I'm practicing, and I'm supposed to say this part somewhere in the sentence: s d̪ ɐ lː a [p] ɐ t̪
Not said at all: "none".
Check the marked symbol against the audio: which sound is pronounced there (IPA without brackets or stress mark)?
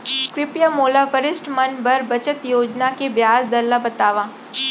b